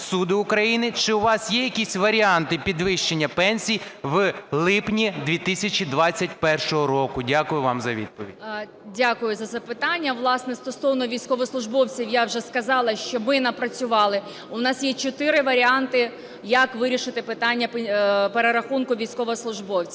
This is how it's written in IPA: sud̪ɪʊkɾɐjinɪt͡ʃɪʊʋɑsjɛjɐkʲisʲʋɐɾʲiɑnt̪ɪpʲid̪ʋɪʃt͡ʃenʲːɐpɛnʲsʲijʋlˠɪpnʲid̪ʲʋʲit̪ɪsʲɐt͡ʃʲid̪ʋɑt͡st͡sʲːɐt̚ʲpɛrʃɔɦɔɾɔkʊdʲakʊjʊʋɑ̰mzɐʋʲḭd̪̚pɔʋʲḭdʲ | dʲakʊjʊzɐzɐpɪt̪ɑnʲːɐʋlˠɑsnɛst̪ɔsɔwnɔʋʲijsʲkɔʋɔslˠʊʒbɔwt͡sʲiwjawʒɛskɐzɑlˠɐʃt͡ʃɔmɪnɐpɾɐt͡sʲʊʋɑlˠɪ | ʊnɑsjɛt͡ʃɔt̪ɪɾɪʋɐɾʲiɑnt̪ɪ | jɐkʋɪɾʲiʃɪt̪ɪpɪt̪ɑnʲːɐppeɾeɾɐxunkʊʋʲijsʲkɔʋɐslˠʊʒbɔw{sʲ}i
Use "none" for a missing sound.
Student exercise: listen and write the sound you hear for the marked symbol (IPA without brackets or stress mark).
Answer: t͡sʲ